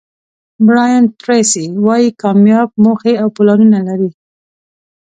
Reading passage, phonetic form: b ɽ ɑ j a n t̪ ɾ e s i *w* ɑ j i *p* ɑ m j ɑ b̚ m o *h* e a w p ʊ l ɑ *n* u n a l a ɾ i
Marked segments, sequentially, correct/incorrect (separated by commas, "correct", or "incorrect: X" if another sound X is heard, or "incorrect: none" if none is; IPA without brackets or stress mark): correct, incorrect: k, incorrect: x, correct